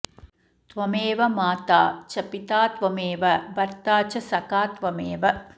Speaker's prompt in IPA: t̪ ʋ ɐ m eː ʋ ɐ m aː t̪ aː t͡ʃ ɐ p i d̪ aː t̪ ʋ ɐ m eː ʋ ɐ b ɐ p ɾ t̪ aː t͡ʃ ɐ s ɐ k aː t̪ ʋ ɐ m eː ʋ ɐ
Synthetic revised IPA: t̪ ʋ ɐ m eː ʋ ɐ m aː t̪ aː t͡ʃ ɐ p i t̪ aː t̪ ʋ ɐ m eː ʋ ɐ b ɐ ɾ t̪ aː t͡ʃ ɐ s ɐ k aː t̪ ʋ ɐ m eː ʋ ɐ